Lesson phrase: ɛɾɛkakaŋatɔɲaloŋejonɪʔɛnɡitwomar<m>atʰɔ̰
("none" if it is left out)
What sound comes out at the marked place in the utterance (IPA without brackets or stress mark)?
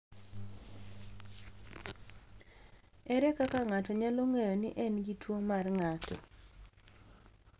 ŋ